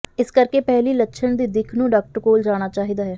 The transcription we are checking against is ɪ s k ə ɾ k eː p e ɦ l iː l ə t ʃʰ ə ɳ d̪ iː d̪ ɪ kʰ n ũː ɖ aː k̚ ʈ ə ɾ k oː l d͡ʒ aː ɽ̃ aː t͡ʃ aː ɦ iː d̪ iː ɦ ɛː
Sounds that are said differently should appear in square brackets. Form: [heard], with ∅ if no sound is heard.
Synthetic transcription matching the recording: ɪ s k ə ɾ k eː p [ɛ] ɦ l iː l ə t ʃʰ ə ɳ d̪ iː d̪ ɪ kʰ n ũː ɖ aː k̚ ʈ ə ɾ k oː l d͡ʒ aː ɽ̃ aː t͡ʃ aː ɦ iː d̪ [aː] ɦ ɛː